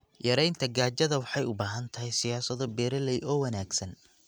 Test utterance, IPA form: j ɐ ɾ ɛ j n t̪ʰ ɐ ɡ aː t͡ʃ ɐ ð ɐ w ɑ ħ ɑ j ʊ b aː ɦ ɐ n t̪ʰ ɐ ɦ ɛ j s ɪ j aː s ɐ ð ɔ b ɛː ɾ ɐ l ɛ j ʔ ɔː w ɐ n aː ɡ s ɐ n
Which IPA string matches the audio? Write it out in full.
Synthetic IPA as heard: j ɐ ɾ ɛ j n t̪ʰ ɐ ɡ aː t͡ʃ ɐ ð ɐ w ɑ ħ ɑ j ʊ b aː ɦ ɐ n t̪ʰ ɐ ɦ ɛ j s ɪ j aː s ɐ ð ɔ b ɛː ɾ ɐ l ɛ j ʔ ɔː w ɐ n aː ɡ s ɐ n